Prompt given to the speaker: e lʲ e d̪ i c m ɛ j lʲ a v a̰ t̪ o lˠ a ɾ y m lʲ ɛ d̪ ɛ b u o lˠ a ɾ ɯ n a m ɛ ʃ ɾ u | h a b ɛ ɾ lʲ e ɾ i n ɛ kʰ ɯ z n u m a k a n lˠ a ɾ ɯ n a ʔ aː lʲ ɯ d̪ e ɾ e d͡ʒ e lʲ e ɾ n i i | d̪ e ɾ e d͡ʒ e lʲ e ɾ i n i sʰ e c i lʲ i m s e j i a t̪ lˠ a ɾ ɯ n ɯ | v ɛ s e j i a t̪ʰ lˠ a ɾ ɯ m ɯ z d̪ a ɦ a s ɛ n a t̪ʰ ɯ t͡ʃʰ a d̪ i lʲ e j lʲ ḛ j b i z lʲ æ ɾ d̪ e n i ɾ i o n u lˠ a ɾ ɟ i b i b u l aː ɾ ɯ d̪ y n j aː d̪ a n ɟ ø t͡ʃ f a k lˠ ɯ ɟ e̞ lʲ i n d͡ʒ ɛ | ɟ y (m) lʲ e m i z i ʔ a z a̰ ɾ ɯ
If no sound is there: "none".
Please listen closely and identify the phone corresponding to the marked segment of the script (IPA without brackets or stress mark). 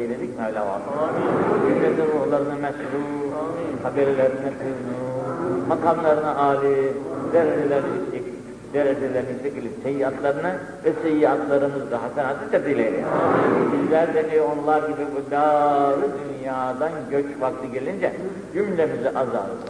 m